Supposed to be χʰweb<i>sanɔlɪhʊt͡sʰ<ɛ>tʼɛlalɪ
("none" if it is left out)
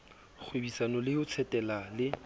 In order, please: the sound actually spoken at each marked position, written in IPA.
i, ɛ

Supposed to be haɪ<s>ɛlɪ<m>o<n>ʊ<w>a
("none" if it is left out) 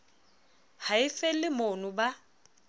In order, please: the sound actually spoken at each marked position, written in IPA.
f, m, n, b

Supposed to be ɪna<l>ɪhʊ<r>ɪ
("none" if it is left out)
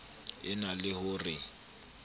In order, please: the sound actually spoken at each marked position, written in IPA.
l, r

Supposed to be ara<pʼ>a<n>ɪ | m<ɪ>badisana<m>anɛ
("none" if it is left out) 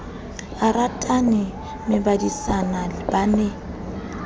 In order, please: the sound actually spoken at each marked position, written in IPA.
tʼ, n, ɪ, b

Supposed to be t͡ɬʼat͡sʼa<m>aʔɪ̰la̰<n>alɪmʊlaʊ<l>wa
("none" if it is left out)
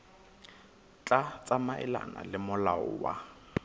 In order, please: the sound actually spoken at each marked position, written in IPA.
m, n, none

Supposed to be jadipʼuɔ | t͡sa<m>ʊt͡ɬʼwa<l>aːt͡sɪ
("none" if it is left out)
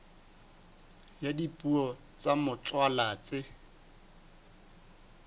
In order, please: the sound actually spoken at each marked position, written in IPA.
m, l

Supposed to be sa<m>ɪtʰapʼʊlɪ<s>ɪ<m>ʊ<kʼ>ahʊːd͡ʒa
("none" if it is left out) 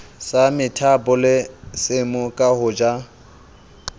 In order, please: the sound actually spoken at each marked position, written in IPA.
m, s, m, kʼ

